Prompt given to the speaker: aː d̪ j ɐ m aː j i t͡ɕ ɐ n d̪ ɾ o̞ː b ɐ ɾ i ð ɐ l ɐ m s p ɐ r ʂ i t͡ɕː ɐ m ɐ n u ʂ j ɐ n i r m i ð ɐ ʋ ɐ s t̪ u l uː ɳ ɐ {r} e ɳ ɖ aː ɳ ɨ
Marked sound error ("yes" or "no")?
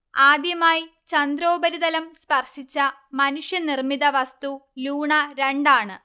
yes